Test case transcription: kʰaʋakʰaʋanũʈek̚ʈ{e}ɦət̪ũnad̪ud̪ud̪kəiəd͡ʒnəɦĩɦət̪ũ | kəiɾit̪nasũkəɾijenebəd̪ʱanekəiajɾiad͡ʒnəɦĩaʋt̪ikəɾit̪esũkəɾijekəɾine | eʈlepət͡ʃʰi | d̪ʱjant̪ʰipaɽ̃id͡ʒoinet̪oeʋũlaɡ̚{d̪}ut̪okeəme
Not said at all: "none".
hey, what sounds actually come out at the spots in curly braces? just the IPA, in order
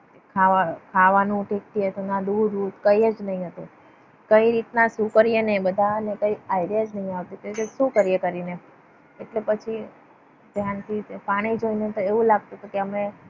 i, t̪

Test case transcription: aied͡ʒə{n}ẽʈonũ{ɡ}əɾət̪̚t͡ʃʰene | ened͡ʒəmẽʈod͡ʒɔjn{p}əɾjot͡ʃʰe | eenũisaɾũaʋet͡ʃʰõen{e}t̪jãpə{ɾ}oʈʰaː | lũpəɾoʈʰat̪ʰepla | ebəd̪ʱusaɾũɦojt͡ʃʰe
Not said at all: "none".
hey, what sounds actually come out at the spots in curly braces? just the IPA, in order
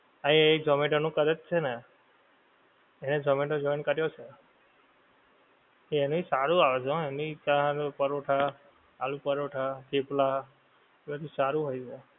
m, k, k, i, ɾ

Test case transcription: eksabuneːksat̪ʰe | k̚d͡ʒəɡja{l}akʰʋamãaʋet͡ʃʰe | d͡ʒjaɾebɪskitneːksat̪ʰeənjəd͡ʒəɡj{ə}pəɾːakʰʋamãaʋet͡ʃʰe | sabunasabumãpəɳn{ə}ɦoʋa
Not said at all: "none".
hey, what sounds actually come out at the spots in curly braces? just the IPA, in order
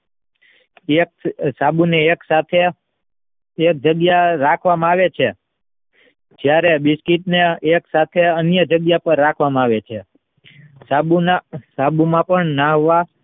ɾ, a, a

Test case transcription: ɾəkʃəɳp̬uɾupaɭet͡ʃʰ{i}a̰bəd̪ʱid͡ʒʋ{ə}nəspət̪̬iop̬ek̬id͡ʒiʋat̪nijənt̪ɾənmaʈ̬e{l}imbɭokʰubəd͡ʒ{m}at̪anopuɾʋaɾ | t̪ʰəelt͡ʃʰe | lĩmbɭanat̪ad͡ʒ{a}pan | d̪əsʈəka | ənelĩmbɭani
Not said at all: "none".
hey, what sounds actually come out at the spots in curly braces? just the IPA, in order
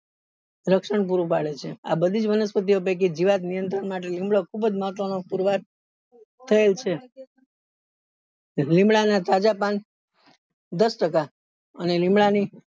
e, ə, l, m, a

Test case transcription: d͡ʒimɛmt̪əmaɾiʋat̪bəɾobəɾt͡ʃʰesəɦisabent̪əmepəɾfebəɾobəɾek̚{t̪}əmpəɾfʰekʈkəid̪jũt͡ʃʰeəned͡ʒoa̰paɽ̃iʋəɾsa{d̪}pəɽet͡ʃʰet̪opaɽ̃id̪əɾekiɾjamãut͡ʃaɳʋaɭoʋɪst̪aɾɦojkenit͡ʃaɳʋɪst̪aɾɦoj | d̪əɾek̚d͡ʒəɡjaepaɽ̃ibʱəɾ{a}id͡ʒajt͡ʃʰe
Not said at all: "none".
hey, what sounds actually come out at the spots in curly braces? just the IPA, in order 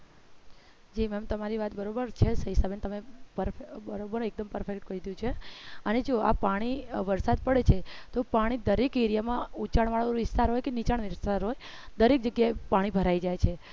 d̪, d̪, a

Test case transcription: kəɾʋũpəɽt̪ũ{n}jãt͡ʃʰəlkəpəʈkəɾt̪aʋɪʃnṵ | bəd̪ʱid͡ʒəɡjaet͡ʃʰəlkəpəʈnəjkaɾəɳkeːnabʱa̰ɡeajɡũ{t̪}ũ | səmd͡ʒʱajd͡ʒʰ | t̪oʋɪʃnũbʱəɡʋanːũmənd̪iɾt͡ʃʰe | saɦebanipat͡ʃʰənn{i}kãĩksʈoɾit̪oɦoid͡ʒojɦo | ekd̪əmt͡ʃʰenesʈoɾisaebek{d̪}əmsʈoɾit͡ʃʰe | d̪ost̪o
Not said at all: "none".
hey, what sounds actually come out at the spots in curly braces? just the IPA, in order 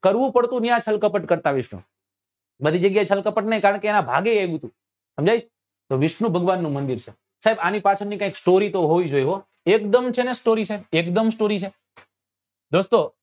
n, t̪, i, d̪

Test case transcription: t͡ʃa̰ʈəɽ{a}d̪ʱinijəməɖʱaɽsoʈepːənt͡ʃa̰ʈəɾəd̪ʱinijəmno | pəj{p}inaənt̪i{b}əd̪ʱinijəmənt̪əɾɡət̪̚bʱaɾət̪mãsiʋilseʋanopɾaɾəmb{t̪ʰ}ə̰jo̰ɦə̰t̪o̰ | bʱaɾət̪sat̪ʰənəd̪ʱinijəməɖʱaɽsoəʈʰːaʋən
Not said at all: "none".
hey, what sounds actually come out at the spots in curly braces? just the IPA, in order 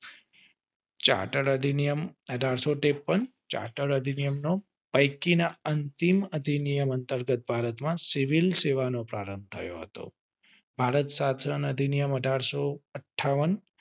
ə, k, m, t̪ʰ

